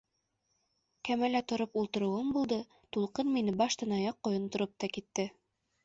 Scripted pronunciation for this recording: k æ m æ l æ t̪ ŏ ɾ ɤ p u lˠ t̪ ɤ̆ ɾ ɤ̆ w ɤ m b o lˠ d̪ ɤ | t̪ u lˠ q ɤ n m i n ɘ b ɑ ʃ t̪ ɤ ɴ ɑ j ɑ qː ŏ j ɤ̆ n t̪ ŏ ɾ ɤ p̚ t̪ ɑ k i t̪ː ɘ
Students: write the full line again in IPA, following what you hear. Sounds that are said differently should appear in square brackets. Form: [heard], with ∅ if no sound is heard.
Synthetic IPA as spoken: k æ m æ l æ t̪ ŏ ɾ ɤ p u lˠ t̪ ɤ̆ ɾ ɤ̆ w ɤ m b [u] lˠ d̪ ɤ | t̪ u lˠ q ɤ n m i n ɘ b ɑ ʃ t̪ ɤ [n] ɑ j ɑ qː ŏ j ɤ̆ n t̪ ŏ ɾ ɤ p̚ t̪ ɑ k i t̪ː ɘ